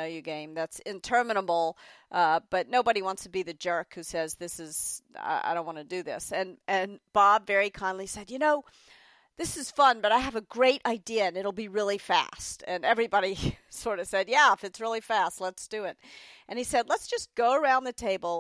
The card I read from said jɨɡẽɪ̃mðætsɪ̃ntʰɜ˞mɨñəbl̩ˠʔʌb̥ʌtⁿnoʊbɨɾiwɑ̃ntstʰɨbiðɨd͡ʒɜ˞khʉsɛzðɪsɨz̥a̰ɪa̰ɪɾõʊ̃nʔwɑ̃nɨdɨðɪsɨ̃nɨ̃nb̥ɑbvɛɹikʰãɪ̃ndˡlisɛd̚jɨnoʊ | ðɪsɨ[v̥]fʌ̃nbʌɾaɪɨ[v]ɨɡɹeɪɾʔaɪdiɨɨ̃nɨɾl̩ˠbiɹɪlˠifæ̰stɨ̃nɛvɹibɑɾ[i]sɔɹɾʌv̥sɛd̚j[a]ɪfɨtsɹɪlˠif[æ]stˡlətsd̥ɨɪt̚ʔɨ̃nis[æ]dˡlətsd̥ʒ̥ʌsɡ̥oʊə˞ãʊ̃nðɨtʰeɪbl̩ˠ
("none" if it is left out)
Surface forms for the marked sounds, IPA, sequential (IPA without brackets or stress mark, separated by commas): z̥, v, i, æ, æ, ɛ